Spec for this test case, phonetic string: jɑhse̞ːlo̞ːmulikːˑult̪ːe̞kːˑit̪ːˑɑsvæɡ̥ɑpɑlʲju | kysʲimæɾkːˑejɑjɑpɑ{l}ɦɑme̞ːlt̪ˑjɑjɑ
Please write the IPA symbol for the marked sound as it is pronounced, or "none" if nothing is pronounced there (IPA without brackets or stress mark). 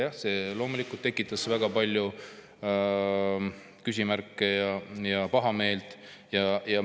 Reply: none